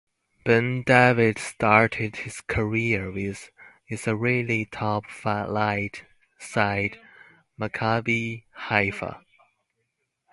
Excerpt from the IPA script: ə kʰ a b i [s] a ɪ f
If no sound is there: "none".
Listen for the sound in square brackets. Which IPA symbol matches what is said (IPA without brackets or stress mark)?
h